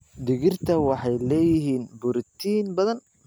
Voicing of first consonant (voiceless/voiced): voiced